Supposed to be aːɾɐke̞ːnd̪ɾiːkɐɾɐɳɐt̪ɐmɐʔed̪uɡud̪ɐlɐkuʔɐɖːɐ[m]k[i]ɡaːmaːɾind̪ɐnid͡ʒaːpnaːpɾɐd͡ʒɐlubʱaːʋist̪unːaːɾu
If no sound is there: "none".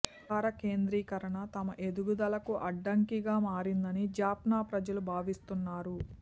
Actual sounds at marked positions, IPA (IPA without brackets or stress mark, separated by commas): ŋ, i